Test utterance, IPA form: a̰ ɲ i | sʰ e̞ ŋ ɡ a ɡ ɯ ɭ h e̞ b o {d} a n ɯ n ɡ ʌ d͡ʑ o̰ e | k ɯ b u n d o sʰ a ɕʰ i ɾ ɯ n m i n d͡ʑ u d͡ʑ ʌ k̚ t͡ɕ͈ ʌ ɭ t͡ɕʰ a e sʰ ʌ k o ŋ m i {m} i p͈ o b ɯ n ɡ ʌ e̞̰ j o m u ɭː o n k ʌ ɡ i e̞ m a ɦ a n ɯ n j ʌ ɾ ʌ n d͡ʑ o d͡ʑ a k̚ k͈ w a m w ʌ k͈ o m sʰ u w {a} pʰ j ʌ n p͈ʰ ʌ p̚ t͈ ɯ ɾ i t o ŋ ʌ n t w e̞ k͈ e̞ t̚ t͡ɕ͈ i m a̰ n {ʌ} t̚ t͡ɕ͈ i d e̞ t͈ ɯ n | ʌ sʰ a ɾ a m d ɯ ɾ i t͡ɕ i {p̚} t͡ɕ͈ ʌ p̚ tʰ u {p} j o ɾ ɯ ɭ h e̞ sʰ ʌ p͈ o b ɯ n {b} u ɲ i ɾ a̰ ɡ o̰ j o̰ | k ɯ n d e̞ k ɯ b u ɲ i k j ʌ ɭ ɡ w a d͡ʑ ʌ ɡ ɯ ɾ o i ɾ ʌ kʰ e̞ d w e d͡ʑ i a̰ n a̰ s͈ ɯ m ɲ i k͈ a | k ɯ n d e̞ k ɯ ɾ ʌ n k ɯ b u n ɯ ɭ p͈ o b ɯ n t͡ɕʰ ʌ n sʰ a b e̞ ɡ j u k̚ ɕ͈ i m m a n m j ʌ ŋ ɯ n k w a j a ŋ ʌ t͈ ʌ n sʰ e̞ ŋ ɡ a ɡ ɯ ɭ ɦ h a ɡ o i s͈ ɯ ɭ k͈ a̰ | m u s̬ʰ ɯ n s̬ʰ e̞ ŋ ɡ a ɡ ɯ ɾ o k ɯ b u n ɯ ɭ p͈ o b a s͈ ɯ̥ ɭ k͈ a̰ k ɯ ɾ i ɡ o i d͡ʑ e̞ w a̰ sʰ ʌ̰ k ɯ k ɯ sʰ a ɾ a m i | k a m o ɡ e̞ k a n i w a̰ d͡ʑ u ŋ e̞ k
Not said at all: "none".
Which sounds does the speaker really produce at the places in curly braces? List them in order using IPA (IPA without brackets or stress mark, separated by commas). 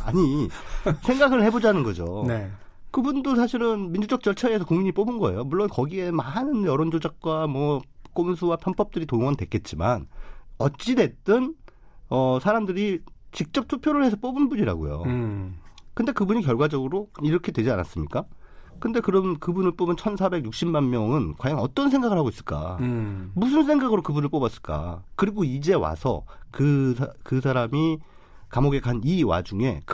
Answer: d͡ʑ, ɲ, a, ʌ, k̚, pʰ, b